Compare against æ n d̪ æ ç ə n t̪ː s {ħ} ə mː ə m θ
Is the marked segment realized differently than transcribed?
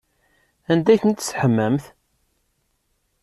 no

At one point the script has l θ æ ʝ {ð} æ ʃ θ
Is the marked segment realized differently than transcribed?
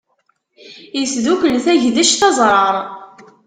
no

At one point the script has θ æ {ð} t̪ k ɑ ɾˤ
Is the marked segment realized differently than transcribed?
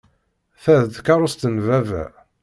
no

